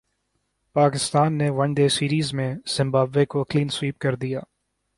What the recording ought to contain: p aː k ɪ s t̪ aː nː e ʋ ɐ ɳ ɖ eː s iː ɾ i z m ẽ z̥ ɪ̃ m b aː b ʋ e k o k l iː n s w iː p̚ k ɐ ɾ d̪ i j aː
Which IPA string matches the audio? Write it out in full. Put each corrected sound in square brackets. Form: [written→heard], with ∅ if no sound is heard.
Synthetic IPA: p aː k ɪ s t̪ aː nː e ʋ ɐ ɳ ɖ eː s iː ɾ [i→iː] z m ẽ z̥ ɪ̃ m b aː b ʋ e k o k l iː n s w iː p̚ k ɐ ɾ d̪ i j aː